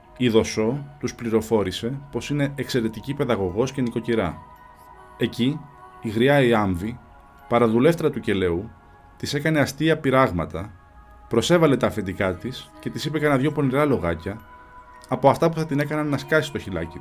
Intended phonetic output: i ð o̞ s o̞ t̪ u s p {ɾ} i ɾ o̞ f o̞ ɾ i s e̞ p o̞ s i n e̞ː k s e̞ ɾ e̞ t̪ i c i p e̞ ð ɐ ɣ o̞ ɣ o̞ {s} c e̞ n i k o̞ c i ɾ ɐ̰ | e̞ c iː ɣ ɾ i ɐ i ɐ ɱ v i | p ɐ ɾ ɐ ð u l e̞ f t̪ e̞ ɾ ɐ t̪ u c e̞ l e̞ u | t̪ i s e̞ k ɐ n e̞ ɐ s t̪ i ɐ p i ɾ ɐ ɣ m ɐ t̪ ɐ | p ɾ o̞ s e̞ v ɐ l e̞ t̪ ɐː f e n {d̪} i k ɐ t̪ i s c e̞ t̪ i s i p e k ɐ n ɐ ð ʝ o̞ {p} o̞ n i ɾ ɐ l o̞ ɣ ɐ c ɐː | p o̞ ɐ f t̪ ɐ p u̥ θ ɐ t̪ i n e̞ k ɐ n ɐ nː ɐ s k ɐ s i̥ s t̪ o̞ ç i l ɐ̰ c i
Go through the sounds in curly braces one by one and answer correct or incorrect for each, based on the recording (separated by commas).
incorrect, correct, correct, correct